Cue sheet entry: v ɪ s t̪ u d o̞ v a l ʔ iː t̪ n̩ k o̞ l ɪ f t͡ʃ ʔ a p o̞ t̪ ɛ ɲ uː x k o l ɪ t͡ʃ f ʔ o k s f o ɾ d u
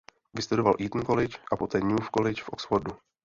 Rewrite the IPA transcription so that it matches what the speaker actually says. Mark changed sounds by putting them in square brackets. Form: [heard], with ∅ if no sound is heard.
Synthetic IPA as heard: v ɪ s t̪ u d o̞ v a l ʔ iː t̪ n̩ k o̞ l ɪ [∅] t͡ʃ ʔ a p o̞ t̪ [ɛː] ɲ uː [f] k o l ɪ t͡ʃ f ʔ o k s f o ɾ d u

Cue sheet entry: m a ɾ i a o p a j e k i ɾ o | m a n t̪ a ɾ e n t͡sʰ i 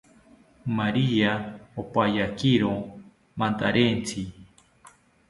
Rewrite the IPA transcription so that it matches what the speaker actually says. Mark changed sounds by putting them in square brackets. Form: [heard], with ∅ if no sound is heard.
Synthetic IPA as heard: m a ɾ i a o p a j [a] k i ɾ o | m a n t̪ a ɾ e n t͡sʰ i

